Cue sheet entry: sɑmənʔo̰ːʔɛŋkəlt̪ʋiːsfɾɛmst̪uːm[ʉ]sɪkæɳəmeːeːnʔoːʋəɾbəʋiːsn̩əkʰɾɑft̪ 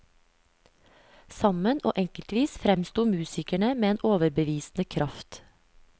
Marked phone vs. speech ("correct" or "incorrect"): incorrect